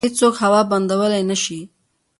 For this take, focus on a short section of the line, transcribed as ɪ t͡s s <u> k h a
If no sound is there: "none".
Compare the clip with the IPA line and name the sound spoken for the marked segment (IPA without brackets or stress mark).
o